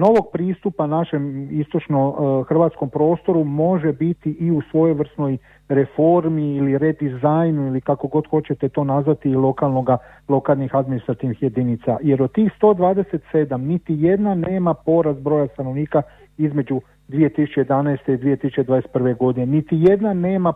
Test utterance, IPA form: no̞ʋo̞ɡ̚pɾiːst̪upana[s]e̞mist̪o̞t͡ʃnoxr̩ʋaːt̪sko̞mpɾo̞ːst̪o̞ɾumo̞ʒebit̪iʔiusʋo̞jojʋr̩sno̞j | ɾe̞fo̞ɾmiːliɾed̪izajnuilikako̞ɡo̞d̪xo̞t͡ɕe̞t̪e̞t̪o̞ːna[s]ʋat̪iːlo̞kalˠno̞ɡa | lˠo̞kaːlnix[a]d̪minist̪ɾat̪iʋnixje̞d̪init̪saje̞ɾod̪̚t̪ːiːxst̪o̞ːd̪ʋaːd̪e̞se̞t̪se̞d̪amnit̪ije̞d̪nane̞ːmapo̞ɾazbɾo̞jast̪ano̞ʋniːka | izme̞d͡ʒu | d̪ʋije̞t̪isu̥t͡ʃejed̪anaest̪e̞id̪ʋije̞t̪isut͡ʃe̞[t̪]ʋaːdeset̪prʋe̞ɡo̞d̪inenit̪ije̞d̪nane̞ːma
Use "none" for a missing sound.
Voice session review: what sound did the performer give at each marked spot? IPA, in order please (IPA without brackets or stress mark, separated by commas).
ʃ, z, a, d̪